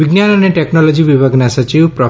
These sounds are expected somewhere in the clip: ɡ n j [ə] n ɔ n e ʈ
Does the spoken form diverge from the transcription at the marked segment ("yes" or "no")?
yes